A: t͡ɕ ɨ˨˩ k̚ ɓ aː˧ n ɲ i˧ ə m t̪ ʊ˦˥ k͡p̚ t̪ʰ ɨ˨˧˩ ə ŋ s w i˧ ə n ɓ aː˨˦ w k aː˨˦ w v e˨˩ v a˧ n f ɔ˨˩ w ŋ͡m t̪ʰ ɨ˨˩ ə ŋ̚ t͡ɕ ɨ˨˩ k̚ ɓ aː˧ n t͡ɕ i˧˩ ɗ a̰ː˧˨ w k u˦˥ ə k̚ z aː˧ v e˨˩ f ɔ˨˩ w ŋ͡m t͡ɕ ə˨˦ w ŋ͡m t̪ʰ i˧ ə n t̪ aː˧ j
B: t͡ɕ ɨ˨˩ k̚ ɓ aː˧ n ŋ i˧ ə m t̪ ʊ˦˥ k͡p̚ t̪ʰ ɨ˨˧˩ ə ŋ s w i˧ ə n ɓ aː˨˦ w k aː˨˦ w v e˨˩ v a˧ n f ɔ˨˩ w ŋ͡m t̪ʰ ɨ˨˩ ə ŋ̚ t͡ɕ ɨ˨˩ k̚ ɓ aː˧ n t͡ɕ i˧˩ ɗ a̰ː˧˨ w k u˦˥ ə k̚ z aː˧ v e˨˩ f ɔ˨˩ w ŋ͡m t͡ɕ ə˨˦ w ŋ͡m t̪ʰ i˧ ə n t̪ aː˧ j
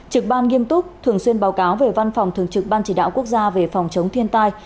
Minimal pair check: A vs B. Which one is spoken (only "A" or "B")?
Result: B